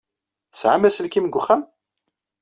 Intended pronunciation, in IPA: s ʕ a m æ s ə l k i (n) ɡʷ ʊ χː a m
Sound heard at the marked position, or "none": m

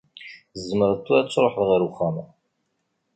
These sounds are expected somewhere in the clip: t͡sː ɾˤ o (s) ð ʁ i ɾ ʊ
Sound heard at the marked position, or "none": ħ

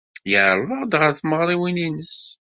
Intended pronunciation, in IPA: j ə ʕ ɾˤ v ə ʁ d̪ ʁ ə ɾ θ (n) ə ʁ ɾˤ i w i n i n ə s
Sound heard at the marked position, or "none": m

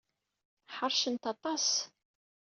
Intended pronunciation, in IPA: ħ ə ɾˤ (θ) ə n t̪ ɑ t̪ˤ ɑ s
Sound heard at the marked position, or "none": ʃ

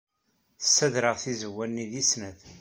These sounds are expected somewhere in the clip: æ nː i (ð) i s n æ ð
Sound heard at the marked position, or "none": ð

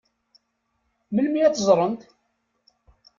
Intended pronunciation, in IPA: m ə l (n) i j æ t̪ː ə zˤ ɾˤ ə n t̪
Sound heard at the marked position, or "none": m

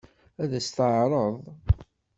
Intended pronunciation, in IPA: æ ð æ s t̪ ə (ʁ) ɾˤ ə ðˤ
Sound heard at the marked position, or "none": ʕ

